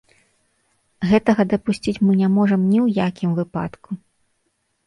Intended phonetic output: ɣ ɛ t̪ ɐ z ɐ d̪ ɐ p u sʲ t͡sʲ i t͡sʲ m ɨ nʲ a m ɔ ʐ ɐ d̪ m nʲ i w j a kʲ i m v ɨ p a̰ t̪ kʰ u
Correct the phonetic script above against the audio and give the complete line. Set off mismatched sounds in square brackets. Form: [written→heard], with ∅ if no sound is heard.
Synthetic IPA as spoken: ɣ ɛ t̪ ɐ [z→ɣ] ɐ d̪ ɐ p u sʲ t͡sʲ i t͡sʲ m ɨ nʲ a m ɔ ʐ ɐ [d̪→∅] m nʲ i w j a kʲ i m v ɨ p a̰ t̪ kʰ u